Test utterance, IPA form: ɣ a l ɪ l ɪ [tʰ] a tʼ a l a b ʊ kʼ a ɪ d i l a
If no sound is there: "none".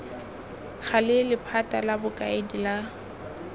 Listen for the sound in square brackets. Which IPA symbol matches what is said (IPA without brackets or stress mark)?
pʰ